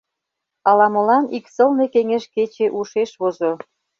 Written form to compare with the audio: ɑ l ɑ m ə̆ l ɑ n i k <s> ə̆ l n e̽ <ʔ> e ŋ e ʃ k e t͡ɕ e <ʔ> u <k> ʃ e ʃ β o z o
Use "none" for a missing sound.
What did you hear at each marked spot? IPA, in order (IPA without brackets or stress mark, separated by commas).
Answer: s, k, ʔ, none